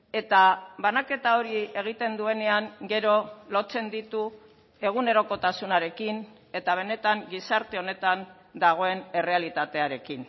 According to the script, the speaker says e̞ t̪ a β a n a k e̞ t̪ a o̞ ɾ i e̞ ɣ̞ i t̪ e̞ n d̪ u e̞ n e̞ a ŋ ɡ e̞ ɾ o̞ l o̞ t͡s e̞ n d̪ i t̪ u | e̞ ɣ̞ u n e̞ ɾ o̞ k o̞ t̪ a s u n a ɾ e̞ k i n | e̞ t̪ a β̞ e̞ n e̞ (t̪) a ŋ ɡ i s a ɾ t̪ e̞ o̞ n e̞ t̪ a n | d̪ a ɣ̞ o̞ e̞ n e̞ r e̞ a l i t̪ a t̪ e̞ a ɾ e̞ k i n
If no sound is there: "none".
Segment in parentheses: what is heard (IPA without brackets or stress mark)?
t̪